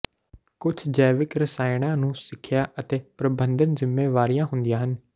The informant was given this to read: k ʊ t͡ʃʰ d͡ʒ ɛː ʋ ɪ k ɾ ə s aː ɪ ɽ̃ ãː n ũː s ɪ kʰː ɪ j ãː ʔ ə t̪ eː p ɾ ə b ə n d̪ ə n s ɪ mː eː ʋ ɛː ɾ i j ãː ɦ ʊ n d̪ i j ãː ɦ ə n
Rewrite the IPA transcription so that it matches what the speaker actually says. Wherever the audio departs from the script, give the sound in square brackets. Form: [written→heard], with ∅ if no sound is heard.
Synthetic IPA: k ʊ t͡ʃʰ d͡ʒ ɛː ʋ ɪ k ɾ ə s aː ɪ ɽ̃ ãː n ũː s ɪ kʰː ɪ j [ãː→aː] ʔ ə t̪ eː p ɾ ə b ə n d̪ ə n [s→z] ɪ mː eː ʋ [ɛː→aː] ɾ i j ãː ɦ ʊ n d̪ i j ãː ɦ ə n